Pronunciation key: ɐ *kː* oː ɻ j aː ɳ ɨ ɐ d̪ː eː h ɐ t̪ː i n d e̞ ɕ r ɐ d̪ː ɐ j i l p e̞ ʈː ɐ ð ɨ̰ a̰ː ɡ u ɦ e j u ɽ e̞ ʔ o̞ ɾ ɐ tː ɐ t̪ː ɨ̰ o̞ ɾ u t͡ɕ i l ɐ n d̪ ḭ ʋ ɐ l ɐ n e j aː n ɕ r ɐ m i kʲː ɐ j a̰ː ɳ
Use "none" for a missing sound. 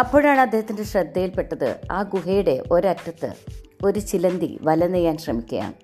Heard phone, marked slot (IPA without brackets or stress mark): pː